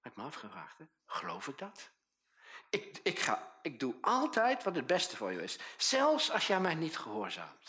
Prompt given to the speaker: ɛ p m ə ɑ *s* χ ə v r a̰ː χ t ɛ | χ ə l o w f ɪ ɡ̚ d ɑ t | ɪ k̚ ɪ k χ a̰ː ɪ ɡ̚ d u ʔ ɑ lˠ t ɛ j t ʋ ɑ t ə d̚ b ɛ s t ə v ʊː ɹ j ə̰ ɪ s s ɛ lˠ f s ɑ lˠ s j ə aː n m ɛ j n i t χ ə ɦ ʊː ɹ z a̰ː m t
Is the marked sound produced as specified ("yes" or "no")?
no